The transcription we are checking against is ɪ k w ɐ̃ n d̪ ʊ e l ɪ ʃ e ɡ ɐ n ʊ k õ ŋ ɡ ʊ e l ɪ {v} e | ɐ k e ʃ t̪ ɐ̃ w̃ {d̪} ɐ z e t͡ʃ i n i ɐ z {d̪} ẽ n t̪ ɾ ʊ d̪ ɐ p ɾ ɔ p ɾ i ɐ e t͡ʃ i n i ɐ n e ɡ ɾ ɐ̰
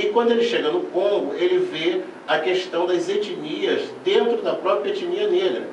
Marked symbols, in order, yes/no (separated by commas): yes, yes, yes